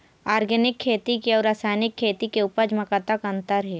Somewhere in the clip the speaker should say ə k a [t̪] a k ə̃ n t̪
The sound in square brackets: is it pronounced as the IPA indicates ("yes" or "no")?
yes